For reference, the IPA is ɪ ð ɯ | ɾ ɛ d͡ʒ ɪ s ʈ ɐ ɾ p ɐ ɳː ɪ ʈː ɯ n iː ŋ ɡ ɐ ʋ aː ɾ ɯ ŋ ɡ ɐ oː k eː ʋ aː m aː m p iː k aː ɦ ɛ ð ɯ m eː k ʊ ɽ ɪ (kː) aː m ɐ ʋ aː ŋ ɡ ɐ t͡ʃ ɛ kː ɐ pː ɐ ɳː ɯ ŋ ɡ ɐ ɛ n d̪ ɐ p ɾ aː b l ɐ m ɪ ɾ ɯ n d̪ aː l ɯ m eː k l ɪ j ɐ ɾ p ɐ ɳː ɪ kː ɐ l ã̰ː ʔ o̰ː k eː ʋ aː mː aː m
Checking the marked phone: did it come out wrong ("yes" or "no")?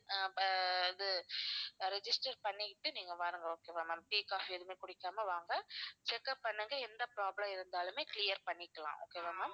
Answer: no